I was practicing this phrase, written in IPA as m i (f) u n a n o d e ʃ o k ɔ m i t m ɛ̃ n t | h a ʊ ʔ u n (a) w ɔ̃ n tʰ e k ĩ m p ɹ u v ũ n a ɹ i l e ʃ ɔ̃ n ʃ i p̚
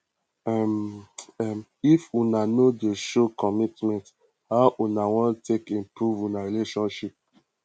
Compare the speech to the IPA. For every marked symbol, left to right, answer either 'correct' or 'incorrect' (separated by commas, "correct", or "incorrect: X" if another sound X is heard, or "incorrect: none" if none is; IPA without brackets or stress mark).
correct, correct